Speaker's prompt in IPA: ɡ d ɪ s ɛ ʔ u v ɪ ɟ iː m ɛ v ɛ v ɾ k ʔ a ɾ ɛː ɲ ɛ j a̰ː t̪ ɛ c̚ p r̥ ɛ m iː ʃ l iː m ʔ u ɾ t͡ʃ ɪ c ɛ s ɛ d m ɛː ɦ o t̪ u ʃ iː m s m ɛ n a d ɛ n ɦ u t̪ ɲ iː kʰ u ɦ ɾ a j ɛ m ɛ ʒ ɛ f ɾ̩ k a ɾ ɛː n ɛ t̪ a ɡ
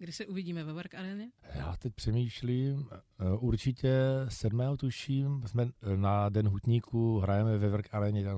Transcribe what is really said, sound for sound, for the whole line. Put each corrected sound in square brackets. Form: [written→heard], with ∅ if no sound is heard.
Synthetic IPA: ɡ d ɪ s ɛ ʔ u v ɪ ɟ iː m ɛ v ɛ v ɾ k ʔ a ɾ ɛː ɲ ɛ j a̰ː t̪ ɛ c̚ p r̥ ɛ m iː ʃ l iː m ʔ u ɾ t͡ʃ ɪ c ɛ s ɛ d m ɛː ɦ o t̪ u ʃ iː m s m ɛ n a d ɛ n ɦ u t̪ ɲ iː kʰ u ɦ ɾ a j ɛ m ɛ [ʒ→v] ɛ [f→v] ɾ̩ k a ɾ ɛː [n→ɲ] ɛ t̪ a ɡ